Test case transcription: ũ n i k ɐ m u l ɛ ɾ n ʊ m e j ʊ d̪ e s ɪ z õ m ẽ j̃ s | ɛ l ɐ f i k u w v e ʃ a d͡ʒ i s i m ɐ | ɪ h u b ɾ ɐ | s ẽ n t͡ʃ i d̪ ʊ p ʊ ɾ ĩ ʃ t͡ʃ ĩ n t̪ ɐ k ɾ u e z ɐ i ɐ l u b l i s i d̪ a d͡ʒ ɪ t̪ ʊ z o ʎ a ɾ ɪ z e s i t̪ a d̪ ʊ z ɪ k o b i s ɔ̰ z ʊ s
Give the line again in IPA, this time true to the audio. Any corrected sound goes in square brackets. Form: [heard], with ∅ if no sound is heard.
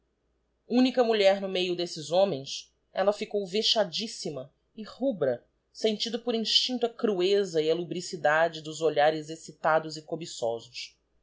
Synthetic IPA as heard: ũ n i k ɐ m u [ʎ] ɛ ɾ n ʊ m e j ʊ d̪ e s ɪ z õ m ẽ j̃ s | ɛ l ɐ f i k [o] w v e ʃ a d͡ʒ i s i m ɐ | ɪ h u b ɾ ɐ | s ẽ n t͡ʃ i d̪ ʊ p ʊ ɾ ĩ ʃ t͡ʃ ĩ n t̪ ɐ k ɾ u e z ɐ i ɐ l u b [ɾ] i s i d̪ a d͡ʒ ɪ [d̪] ʊ z o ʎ a ɾ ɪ z e s i t̪ a d̪ ʊ z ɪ k o b i s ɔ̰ z ʊ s